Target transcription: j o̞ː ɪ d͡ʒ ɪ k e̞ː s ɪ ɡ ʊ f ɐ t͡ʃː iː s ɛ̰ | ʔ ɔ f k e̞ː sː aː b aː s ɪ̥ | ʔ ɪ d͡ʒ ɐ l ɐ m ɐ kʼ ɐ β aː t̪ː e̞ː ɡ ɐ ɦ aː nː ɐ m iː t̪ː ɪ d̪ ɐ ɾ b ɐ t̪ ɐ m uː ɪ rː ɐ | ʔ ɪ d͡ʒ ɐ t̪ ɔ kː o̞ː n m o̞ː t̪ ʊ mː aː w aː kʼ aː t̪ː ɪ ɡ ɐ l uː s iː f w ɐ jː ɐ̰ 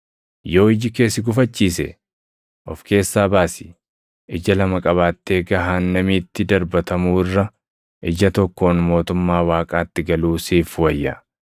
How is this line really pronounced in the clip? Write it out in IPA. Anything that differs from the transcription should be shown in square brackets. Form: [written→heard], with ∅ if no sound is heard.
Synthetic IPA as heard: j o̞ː ɪ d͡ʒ ɪ k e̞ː s ɪ ɡ ʊ f ɐ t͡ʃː iː s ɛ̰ | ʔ ɔ f k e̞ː sː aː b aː s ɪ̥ | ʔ ɪ d͡ʒ ɐ l ɐ m ɐ kʼ ɐ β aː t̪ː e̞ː ɡ ɐ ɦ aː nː ɐ m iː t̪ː ɪ d̪ ɐ ɾ b ɐ t̪ ɐ m uː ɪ rː ɐ | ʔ ɪ d͡ʒ ɐ t̪ ɔ kː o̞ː n m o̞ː t̪ ʊ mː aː w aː kʼ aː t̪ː ɪ ɡ ɐ l uː s iː f w ɐ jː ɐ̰